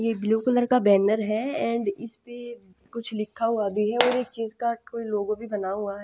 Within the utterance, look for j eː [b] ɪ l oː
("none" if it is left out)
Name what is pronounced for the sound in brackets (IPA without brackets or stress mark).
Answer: b